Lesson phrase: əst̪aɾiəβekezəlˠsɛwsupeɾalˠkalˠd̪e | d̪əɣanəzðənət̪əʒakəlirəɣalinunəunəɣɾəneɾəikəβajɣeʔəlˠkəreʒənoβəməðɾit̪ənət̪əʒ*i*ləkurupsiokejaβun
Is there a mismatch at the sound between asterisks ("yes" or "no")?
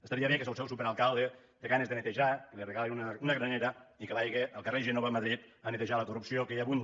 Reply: yes